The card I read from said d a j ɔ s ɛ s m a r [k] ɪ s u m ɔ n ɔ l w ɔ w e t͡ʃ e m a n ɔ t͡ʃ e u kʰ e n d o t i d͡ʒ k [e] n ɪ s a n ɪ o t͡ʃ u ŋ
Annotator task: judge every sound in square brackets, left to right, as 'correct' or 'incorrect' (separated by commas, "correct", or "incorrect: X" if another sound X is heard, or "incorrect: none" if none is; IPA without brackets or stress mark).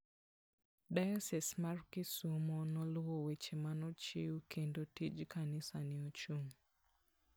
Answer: correct, incorrect: a